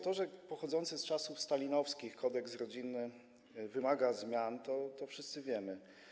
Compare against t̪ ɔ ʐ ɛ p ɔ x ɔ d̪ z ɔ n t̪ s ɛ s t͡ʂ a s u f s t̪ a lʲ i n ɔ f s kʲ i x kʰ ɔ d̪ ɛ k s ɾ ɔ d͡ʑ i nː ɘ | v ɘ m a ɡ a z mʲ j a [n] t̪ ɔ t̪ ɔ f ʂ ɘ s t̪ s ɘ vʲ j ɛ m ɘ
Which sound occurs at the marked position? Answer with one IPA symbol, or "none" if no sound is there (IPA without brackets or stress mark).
n